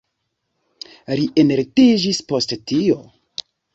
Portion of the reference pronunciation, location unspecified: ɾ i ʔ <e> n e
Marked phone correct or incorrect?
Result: correct